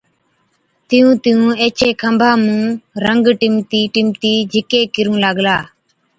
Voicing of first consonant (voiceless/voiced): voiceless